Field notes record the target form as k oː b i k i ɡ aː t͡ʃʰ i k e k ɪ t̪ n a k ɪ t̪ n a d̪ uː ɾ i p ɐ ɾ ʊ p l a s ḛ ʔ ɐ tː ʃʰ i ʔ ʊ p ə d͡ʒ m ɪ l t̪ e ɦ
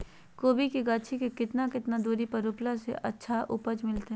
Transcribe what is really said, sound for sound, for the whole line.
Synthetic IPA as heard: k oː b i k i ɡ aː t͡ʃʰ i k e k ɪ t̪ n a k ɪ t̪ n a d̪ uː ɾ i p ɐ ɾ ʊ p l a s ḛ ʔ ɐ tː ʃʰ a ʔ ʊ p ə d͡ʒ m ɪ l t̪ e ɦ